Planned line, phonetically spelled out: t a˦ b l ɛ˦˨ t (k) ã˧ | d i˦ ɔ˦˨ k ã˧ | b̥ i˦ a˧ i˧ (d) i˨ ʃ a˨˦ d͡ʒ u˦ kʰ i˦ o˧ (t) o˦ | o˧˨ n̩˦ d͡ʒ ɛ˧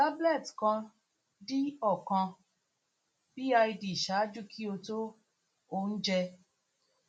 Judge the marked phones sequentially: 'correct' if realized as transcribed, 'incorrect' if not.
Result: correct, correct, correct

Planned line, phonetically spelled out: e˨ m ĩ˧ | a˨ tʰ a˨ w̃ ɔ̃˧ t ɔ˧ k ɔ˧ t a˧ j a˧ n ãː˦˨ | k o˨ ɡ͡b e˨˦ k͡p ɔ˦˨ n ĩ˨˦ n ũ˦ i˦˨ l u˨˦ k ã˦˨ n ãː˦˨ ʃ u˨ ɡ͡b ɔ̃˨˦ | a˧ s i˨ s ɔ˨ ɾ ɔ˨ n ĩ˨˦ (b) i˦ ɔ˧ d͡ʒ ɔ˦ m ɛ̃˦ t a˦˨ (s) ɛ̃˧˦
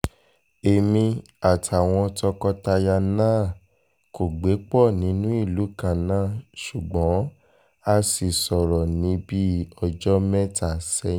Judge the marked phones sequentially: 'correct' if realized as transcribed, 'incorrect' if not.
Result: correct, correct

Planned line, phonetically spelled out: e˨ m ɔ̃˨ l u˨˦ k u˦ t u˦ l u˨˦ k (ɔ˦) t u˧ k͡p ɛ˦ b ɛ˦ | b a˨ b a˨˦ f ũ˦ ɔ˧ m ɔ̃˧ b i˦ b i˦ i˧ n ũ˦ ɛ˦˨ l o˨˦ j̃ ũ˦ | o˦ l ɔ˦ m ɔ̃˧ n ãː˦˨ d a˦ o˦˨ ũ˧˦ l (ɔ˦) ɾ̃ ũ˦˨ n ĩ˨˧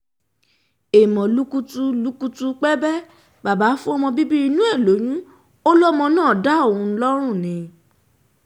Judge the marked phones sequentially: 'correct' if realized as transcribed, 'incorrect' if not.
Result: incorrect, correct

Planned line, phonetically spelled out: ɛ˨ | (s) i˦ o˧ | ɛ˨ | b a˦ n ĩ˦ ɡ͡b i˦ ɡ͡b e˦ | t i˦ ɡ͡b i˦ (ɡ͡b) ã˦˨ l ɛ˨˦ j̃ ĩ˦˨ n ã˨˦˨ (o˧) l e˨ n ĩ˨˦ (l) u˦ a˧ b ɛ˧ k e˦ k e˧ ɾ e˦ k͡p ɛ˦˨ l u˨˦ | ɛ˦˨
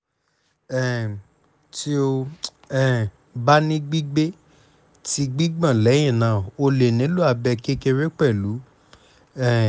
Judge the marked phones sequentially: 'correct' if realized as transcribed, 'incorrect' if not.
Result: incorrect, correct, correct, correct

